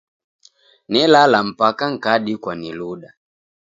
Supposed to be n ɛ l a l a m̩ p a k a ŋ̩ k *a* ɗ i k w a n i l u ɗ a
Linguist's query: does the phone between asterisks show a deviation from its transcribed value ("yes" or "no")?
no